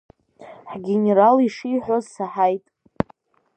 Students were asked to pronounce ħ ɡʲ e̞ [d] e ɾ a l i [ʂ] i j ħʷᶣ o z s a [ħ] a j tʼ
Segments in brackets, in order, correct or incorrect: incorrect, correct, correct

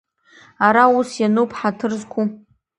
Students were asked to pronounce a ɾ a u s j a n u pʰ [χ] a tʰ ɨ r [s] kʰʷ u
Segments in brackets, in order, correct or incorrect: incorrect, incorrect

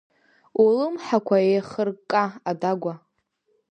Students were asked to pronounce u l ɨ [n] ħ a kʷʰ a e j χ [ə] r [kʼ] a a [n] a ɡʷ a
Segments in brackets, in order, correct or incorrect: incorrect, correct, correct, incorrect

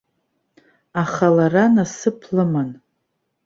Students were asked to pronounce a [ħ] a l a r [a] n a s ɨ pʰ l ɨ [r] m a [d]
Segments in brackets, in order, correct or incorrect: incorrect, correct, incorrect, incorrect

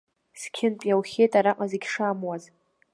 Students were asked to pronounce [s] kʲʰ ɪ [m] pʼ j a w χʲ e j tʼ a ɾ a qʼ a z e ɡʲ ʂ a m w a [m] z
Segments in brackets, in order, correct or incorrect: correct, incorrect, incorrect

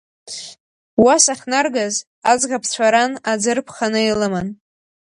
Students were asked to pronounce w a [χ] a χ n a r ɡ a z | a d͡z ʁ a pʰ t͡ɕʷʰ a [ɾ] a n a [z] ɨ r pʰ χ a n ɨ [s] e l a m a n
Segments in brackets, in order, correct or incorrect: incorrect, correct, incorrect, incorrect

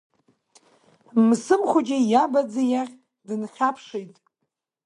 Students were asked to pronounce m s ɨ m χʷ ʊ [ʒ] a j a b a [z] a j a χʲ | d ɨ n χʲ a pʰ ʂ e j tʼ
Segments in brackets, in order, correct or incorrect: incorrect, incorrect

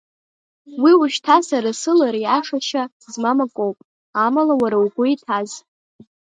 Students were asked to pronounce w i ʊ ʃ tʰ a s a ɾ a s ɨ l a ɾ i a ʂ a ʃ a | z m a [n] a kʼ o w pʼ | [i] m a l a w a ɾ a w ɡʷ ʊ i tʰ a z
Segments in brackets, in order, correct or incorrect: incorrect, incorrect

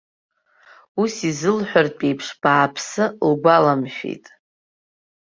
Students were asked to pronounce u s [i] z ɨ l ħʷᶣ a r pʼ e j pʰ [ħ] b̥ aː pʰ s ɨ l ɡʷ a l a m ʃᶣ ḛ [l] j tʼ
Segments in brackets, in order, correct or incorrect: correct, incorrect, incorrect

